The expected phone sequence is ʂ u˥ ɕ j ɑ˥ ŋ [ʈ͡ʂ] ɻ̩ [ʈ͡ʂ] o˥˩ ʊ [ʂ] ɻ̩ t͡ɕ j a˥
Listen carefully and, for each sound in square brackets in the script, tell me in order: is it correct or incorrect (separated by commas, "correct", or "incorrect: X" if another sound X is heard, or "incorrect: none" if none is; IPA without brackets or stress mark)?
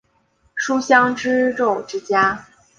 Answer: correct, correct, incorrect: ʈ͡ʂ